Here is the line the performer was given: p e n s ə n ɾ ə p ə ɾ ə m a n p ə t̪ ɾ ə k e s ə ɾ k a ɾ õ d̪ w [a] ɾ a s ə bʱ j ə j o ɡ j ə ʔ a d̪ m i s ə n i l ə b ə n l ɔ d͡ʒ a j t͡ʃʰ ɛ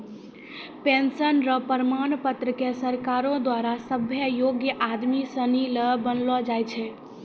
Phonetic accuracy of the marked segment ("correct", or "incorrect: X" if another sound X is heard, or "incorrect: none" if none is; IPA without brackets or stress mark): correct